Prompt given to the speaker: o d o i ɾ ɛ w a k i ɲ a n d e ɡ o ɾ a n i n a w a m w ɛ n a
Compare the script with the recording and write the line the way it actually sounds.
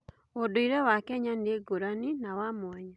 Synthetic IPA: o d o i ɾ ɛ w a k ɛ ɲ a n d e ɡ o ɾ a n i n a w a m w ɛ ɲ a